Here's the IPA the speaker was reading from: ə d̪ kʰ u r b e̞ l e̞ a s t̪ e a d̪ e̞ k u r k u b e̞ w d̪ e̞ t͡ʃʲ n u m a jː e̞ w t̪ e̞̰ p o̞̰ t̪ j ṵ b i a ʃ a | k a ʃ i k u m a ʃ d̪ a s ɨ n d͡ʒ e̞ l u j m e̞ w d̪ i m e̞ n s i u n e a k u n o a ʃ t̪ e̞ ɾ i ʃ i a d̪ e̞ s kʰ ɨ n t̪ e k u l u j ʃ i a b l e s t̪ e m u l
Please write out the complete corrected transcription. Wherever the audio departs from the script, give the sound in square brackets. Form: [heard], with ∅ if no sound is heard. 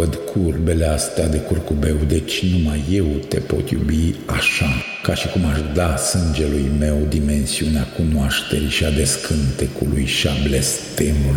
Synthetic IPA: ə d̪ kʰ u r b e̞ l e̞ a s t̪ e a d̪ e̞ k u r k u b e̞ w d̪ e̞ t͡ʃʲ n u m a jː e̞ w t̪ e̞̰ p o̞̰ t̪ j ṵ b i a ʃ a | k a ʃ i k u m a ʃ d̪ a s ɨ n d͡ʒ e̞ l u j m e̞ w d̪ i m e̞ n s i u n e a k u n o a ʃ t̪ e̞ ɾ i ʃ i a d̪ e̞ s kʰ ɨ n t̪ e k u l u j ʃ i a b l e s t̪ e m u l